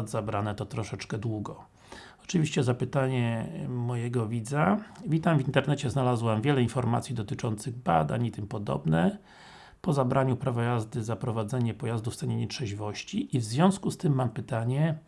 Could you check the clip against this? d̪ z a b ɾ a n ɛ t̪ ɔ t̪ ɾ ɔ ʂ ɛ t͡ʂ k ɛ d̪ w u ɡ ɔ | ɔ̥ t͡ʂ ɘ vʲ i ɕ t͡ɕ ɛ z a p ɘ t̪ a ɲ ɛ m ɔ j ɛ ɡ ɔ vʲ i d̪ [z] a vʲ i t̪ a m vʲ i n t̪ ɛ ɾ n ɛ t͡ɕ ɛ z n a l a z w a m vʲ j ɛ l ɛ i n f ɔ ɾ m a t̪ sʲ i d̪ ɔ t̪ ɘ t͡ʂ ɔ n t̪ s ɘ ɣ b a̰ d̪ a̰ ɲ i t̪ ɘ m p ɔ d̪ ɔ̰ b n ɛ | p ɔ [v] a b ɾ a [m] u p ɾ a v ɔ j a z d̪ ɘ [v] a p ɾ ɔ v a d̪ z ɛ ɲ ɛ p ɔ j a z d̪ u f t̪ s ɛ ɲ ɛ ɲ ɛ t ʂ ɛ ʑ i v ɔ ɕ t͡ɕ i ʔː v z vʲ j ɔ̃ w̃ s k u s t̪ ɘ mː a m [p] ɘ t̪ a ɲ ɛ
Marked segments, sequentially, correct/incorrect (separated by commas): correct, incorrect, incorrect, incorrect, correct